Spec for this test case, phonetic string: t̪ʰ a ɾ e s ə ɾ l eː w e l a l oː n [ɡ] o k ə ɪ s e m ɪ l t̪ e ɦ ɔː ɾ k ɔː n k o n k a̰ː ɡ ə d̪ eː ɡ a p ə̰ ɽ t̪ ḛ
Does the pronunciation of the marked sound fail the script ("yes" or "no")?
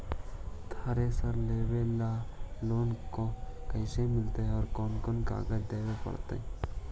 yes